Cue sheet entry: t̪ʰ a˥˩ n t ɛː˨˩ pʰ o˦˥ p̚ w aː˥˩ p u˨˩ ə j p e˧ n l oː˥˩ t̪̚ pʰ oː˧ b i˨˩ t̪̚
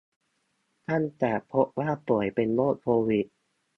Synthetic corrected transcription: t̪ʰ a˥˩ n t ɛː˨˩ pʰ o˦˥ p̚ w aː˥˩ p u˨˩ ə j p e˧ n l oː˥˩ t̪̚ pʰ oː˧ w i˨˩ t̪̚